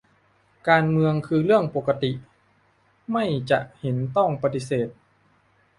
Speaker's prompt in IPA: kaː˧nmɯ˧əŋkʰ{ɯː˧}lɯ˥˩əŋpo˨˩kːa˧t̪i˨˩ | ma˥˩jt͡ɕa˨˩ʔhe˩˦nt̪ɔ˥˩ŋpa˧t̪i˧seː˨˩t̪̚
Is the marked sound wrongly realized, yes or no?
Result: no